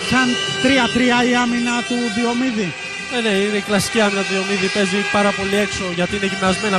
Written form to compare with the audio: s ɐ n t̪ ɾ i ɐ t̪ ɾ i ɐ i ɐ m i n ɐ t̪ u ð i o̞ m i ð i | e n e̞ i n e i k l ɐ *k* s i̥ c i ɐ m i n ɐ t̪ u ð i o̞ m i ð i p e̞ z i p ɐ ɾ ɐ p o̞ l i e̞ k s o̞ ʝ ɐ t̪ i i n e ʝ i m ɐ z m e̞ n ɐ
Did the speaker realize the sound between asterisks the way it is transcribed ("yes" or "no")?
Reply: no